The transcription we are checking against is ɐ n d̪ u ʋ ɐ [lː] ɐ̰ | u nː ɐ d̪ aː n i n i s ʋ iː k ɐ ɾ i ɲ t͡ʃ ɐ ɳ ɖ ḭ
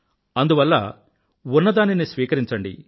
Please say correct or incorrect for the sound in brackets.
correct